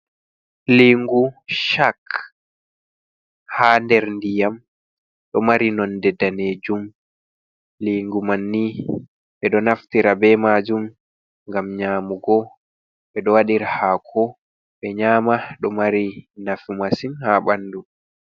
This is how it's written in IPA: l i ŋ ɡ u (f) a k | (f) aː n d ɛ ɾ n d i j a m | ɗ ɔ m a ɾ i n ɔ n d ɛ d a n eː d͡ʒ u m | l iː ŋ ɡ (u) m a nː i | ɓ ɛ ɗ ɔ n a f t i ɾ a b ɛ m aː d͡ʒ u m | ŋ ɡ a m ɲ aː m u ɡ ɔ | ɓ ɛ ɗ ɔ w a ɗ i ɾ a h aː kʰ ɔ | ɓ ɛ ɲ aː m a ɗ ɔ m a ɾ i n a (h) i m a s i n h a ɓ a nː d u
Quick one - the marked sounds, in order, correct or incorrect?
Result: incorrect, incorrect, correct, incorrect

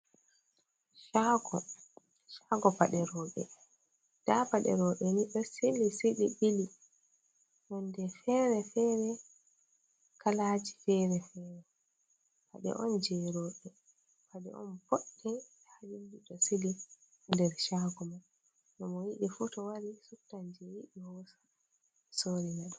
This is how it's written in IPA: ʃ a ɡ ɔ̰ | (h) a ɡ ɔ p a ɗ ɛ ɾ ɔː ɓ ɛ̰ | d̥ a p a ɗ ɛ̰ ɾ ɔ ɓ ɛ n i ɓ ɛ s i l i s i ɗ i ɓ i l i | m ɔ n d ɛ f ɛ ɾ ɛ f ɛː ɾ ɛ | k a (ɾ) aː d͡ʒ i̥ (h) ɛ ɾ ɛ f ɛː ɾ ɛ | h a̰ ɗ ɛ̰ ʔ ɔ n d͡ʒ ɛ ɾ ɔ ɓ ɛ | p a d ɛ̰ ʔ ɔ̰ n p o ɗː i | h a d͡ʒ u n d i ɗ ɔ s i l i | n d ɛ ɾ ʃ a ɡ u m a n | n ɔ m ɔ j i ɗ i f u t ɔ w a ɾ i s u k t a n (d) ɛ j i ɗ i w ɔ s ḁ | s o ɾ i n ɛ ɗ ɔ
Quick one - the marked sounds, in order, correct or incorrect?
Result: incorrect, incorrect, incorrect, incorrect

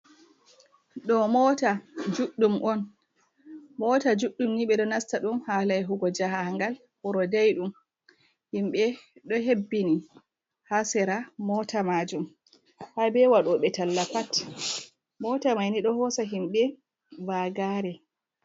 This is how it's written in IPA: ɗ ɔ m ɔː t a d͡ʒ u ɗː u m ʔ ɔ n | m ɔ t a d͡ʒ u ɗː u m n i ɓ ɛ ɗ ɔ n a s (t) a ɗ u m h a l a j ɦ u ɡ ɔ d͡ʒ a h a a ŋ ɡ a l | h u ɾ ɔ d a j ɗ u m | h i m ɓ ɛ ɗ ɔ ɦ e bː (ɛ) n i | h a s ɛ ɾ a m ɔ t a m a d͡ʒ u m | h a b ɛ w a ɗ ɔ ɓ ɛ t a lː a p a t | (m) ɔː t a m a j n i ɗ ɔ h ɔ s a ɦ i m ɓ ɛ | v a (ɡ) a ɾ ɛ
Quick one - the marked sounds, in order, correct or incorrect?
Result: correct, incorrect, correct, correct

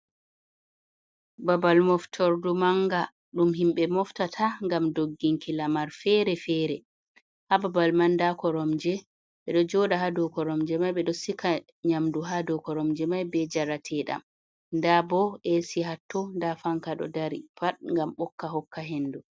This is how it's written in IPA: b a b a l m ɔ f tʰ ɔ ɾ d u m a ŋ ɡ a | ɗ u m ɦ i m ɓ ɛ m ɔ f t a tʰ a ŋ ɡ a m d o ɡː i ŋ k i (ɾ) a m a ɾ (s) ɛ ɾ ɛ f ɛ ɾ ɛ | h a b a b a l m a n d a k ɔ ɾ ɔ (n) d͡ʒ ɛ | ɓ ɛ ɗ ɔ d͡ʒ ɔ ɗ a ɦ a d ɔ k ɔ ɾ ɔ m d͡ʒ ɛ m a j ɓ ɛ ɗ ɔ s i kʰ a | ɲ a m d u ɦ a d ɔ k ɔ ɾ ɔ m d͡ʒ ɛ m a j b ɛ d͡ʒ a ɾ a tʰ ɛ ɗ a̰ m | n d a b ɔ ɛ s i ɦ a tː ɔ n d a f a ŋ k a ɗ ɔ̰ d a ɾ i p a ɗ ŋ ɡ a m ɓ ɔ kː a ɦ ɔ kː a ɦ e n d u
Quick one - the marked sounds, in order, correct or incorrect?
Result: incorrect, incorrect, incorrect

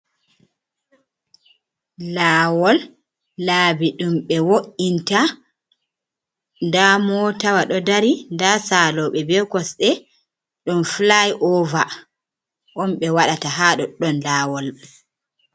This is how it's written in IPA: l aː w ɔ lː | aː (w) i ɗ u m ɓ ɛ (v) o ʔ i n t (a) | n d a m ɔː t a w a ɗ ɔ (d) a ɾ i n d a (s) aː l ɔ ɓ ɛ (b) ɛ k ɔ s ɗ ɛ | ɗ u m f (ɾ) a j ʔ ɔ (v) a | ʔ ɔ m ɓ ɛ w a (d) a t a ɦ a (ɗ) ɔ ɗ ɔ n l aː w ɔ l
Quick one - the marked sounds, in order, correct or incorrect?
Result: incorrect, incorrect, correct, correct, correct, correct, incorrect, correct, incorrect, correct

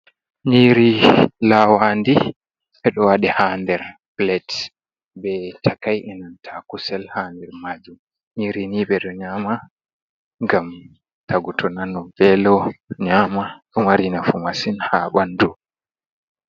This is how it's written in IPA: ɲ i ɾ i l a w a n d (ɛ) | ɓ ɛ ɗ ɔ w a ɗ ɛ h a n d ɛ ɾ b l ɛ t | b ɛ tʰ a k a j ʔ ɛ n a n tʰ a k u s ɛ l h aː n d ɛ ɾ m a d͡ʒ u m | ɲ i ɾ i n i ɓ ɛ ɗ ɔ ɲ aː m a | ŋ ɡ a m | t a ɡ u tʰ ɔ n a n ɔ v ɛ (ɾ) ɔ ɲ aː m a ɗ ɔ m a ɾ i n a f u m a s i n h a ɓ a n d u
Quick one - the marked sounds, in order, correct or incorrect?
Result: incorrect, incorrect

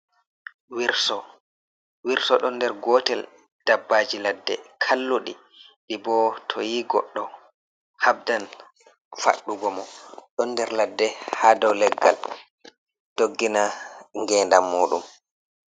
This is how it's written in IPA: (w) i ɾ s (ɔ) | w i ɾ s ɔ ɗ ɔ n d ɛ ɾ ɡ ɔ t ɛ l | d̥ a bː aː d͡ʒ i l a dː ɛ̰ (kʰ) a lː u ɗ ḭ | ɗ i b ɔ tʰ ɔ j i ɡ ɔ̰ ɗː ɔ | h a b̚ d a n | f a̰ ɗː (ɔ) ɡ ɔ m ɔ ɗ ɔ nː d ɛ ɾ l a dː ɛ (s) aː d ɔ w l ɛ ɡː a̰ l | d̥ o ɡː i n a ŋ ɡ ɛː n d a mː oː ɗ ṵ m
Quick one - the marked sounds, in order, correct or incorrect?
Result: correct, correct, correct, incorrect, incorrect

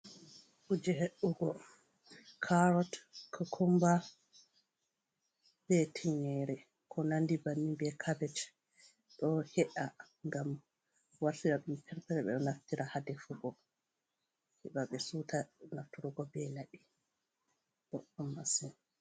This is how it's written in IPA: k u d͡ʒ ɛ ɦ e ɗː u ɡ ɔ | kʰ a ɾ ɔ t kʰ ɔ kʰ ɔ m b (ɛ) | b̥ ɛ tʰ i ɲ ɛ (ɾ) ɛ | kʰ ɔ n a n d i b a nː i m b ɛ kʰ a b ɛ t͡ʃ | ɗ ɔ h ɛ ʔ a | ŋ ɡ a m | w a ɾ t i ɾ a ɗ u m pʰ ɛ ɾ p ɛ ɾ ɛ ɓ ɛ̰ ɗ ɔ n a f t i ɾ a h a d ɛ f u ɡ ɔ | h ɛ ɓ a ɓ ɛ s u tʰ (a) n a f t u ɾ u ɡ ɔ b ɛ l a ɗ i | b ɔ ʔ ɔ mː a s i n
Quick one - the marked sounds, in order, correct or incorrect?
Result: incorrect, correct, correct

